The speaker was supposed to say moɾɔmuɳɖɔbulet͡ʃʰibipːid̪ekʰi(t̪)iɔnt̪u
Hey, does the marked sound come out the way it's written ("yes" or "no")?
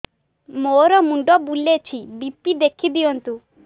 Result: no